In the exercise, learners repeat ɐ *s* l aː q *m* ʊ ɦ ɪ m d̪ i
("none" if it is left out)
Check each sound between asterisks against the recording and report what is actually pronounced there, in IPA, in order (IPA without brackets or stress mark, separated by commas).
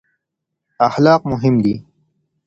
x, m